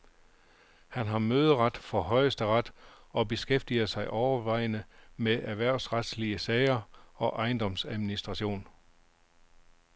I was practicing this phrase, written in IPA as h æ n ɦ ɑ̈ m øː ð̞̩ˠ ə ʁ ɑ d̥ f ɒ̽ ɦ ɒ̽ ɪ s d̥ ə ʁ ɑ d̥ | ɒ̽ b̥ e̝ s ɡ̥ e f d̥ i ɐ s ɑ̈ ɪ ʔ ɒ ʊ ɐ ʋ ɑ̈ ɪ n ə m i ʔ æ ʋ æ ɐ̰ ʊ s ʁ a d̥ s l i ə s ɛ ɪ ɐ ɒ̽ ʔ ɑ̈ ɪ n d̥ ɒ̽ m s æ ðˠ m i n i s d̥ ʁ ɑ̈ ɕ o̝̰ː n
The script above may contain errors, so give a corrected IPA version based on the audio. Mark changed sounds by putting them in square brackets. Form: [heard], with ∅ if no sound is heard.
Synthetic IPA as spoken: h æ n ɦ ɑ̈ m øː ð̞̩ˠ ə ʁ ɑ d̥ f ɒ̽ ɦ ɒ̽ ɪ s d̥ ə ʁ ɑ d̥ | ɒ̽ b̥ e̝ s ɡ̥ e f d̥ i ɐ s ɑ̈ ɪ ʔ ɒ ʊ ɐ ʋ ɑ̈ ɪ n ə m [e] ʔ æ ʋ æ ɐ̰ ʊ s ʁ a d̥ s l i ə s ɛ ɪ ɐ ɒ̽ ʔ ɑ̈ ɪ n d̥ ɒ̽ m s æ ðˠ m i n i s d̥ ʁ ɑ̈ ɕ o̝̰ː n